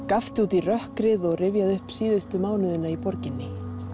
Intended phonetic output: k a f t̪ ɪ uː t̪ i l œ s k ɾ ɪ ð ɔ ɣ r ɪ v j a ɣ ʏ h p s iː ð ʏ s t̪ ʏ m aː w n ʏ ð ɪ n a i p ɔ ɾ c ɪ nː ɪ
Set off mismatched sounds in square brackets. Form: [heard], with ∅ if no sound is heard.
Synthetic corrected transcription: k a f t̪ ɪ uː t̪ i [r] œ [h] k ɾ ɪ ð ɔ ɣ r ɪ v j a [ð] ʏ h p s iː ð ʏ s t̪ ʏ m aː w n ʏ ð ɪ n a i p ɔ ɾ c ɪ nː ɪ